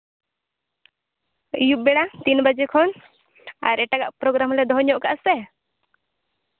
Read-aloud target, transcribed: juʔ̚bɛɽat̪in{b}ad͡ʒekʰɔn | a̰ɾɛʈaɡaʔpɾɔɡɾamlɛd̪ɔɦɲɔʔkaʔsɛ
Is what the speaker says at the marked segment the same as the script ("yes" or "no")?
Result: yes